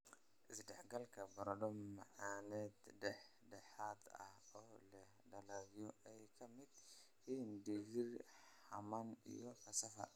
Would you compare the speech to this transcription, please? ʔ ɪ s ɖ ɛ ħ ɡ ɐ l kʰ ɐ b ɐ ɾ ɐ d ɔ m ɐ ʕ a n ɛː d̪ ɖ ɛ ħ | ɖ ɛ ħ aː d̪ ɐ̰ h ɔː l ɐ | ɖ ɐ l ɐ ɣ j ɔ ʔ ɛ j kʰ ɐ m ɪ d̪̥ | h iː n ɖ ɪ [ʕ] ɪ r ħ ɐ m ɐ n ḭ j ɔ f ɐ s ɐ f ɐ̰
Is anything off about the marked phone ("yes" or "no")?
yes